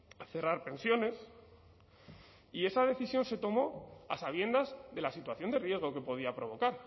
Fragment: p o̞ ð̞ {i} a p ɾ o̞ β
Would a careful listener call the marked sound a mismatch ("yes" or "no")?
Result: no